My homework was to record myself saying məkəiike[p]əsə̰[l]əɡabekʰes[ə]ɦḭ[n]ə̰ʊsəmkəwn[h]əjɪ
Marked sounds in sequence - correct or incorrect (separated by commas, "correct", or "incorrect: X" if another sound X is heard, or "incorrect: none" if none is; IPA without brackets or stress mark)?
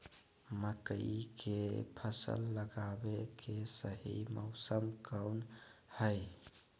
incorrect: pʰ, incorrect: lː, correct, incorrect: m, correct